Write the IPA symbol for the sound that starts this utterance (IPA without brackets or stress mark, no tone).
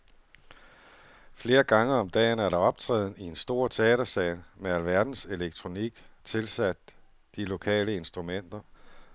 f